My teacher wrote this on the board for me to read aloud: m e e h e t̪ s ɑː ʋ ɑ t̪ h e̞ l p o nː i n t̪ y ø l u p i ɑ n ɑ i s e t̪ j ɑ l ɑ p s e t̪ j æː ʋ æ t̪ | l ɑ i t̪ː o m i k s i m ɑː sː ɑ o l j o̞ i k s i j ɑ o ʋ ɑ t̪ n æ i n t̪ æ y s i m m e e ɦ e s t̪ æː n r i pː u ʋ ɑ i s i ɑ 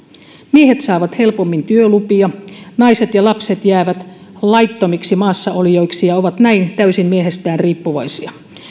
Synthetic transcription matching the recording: m i e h e t̪ s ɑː ʋ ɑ t̪ h e̞ l p o mː i n t̪ y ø l u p i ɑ n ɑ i s e t̪ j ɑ l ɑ p s e t̪ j æː ʋ æ t̪ | l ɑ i t̪ː o m i k s i m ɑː sː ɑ o l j o̞ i k s i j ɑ o ʋ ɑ t̪ n æ i n t̪ æ y s i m m i e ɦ e s t̪ æː n r iː pː u ʋ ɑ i s i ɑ